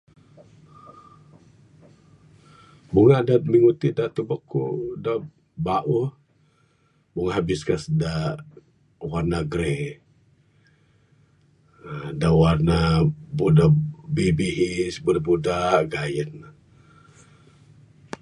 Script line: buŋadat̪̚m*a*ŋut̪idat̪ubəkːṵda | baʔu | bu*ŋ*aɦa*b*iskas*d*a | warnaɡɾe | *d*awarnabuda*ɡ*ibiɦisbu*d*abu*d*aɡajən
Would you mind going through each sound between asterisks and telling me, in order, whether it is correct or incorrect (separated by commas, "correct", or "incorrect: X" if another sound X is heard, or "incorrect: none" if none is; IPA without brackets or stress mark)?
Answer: incorrect: i, correct, correct, correct, correct, incorrect: b, correct, correct